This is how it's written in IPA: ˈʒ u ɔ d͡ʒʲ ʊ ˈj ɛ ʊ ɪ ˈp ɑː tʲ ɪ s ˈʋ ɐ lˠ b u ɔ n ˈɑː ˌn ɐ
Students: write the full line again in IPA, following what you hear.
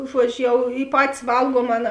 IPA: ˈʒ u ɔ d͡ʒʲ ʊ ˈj ɛ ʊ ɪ ˈp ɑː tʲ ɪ s ˈʋ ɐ lˠ ɡ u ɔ m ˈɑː ˌn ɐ